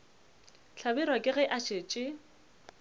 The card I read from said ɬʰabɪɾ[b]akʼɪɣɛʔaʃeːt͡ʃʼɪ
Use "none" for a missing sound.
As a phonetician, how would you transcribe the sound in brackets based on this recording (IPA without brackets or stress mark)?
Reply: w